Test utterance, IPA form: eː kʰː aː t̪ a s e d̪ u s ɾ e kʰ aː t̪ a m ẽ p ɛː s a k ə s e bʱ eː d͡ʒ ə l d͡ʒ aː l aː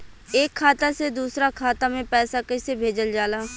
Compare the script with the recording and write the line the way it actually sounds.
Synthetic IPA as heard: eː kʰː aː t̪ a s e d̪ uː s ɾ a kʰ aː t̪ a m ẽ p ɛː s a k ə s e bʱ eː d͡ʒ ə l d͡ʒ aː l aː